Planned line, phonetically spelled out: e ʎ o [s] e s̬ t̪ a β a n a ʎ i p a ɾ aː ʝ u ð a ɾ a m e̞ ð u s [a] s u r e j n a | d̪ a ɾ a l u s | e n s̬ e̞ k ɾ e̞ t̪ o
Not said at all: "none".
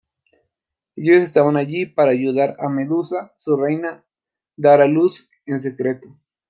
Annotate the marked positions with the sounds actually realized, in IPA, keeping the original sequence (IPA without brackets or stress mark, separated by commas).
s, a